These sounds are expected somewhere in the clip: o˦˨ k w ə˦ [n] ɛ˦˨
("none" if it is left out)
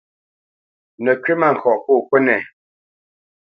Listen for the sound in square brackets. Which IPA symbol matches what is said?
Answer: n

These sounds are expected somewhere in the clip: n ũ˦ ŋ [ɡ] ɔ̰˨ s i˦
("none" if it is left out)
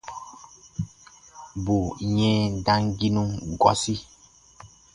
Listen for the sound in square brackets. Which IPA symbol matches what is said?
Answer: ɡ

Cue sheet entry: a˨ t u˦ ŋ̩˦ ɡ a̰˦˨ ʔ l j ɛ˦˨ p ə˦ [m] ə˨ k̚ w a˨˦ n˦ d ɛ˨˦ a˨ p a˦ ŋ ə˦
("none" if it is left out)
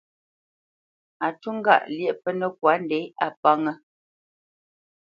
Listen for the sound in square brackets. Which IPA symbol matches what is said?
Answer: n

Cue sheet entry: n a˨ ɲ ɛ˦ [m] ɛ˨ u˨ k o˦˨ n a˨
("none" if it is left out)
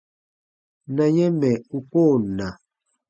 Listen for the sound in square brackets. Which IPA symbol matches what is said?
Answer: m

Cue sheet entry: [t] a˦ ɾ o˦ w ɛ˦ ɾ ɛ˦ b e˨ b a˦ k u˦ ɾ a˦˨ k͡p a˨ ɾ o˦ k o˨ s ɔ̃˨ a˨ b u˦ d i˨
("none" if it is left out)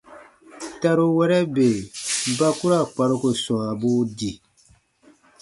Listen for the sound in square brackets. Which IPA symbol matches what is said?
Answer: t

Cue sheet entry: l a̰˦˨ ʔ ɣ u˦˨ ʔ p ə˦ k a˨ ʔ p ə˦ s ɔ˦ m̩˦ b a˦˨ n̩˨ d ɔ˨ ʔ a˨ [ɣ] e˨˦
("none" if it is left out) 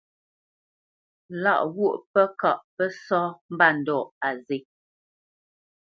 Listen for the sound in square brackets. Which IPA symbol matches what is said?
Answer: z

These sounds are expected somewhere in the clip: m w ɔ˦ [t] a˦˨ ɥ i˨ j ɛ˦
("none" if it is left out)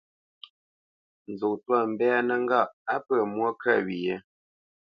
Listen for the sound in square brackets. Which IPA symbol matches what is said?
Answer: k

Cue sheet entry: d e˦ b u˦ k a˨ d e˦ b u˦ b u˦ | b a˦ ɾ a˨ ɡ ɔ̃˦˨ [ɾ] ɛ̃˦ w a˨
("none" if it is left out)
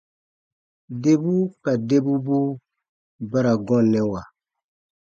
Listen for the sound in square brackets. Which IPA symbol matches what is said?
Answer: l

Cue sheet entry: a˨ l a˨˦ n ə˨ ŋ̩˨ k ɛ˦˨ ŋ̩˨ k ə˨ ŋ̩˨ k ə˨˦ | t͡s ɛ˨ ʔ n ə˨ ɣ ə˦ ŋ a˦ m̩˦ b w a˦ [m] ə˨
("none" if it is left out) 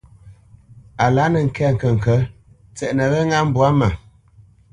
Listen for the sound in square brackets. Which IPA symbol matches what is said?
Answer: m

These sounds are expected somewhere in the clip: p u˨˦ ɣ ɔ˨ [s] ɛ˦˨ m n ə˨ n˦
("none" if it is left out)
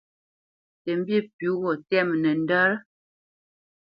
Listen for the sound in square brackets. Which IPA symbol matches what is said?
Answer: t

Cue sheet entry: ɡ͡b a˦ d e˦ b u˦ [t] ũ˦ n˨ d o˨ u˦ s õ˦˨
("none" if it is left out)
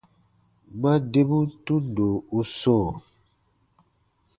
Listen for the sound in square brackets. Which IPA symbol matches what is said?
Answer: t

